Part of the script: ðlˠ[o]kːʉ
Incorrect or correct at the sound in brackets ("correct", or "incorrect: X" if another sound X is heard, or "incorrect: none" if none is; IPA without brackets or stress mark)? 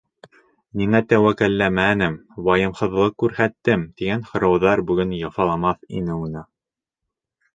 incorrect: ɤ